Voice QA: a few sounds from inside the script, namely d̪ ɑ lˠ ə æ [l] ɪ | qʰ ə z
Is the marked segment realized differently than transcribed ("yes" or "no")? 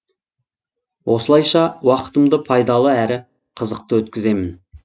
yes